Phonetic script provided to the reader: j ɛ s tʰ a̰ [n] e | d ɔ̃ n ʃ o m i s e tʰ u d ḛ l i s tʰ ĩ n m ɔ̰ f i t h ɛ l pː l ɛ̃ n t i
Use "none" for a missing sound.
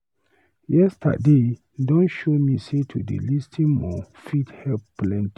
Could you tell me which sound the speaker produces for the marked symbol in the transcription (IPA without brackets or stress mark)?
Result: d